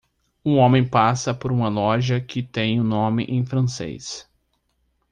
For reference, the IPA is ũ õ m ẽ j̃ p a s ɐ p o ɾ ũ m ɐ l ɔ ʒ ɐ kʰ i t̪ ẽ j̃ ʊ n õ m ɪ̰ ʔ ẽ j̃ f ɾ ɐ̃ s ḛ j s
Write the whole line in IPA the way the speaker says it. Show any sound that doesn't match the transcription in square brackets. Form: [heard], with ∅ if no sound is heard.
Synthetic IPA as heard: ũ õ m ẽ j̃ p a s ɐ p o ɾ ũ m ɐ l ɔ ʒ ɐ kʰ [ɪ] t̪ ẽ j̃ ʊ n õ m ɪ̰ ʔ ẽ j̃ f ɾ ɐ̃ s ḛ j s